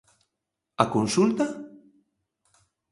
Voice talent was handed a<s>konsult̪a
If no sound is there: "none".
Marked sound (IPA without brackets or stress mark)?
none